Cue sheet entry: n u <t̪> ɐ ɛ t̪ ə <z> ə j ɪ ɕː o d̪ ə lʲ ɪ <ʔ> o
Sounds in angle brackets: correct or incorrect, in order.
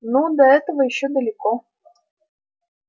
incorrect: d̪, incorrect: v, incorrect: k

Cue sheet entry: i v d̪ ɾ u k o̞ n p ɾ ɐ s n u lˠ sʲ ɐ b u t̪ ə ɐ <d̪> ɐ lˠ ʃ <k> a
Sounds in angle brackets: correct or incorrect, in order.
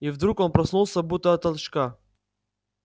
incorrect: t̪, correct

